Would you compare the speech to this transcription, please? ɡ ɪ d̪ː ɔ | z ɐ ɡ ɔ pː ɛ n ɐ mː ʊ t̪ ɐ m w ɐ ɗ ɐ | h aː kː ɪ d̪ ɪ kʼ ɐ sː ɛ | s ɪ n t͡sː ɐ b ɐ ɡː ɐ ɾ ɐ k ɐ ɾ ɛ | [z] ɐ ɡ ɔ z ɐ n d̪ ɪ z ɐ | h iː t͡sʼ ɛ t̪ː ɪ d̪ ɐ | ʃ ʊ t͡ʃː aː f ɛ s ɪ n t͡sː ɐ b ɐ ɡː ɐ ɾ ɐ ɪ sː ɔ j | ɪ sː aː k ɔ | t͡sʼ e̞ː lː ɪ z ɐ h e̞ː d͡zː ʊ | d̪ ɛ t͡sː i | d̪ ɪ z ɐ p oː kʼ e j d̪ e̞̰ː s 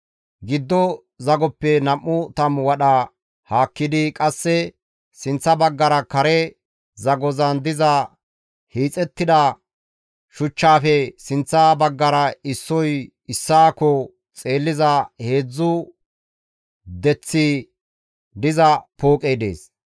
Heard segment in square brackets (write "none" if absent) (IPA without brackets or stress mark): z